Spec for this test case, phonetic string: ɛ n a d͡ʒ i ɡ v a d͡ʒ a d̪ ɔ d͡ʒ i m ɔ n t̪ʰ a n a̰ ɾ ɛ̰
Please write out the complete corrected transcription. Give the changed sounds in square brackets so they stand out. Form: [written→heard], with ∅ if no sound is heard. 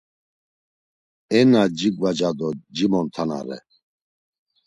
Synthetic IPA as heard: ɛ n a d͡ʒ i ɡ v a d͡ʒ a d̪ ɔ d͡ʒ i m ɔ n t̪ʰ a n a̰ ɾ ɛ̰